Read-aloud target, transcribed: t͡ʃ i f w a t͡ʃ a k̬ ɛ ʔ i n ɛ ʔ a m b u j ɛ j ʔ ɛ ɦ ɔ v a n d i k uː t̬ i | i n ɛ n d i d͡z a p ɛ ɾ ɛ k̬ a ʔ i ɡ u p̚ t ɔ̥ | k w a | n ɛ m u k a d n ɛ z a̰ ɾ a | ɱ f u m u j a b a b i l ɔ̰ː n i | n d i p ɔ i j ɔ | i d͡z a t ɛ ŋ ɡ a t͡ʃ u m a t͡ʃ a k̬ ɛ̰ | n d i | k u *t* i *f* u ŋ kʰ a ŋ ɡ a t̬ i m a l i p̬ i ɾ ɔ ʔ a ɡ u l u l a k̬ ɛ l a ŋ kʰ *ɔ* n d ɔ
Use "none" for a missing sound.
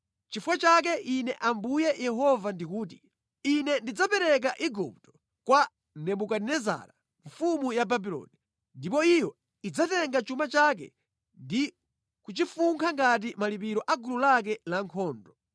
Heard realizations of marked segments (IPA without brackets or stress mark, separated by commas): t͡ʃ, f, ɔː